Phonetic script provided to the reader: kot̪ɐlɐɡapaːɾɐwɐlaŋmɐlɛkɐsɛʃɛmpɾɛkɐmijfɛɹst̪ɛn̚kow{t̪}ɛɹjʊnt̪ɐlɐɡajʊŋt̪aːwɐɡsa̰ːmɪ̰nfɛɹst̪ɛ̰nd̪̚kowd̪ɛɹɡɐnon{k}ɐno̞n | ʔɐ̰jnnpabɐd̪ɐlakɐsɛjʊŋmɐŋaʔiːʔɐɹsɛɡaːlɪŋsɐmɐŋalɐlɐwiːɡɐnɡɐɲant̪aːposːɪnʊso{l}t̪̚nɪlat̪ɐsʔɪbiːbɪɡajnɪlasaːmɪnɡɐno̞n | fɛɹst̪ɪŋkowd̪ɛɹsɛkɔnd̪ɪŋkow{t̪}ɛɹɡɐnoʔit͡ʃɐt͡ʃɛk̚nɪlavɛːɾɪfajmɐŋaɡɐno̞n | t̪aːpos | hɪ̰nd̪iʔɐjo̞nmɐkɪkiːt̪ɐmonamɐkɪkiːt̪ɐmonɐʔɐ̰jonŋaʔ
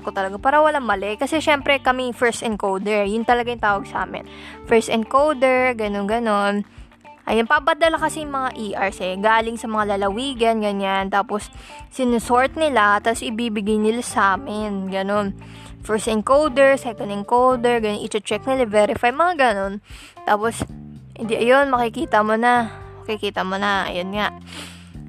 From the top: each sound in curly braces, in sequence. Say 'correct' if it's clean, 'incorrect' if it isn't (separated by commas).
incorrect, incorrect, incorrect, incorrect